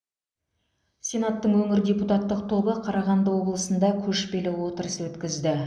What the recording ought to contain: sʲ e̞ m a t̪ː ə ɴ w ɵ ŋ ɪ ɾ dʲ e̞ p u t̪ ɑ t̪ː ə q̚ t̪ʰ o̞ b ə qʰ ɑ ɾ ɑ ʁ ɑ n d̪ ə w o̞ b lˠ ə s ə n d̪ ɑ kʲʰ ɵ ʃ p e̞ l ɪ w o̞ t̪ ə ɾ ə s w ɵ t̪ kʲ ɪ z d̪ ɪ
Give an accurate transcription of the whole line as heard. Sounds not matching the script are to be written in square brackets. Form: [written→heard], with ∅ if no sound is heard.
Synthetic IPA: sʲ e̞ [m→n] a t̪ː ə ɴ w ɵ ŋ ɪ ɾ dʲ e̞ p u t̪ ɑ t̪ː ə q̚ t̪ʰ o̞ b ə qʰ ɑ ɾ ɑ ʁ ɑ n d̪ ə w o̞ b lˠ ə s ə n d̪ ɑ kʲʰ ɵ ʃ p e̞ l ɪ w o̞ t̪ ə ɾ ə s w ɵ t̪ kʲ ɪ z d̪ ɪ